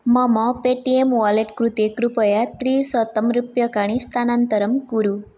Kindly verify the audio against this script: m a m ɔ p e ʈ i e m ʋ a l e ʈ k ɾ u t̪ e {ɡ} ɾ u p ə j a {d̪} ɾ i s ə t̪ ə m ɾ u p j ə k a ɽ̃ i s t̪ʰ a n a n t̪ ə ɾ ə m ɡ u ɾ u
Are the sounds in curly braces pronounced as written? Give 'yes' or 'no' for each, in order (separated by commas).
no, no